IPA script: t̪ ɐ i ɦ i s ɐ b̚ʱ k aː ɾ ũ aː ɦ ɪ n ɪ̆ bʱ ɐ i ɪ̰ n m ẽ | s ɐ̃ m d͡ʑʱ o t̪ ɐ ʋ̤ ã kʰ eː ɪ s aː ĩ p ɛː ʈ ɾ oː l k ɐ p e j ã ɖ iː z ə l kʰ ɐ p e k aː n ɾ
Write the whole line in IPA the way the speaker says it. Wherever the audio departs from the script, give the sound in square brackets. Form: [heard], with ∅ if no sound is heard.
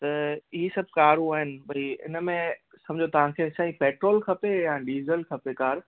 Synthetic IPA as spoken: t̪ ɐ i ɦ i s ɐ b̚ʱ k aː ɾ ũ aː ɦ ɪ n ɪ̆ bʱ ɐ i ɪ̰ n m ẽ | s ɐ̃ m d͡ʑʱ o t̪ ɐ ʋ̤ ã kʰ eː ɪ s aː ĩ p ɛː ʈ ɾ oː l [kʰ] ɐ p e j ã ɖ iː z ə l kʰ ɐ p e k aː [∅] ɾ